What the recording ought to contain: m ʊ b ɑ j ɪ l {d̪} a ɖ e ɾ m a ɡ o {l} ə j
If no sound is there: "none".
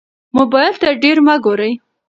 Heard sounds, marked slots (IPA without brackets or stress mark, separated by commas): t̪, ɾ